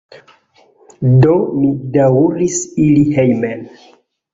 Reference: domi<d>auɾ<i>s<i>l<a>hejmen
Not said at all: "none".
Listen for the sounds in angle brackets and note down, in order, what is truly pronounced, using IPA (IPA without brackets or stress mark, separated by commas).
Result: d, i, i, i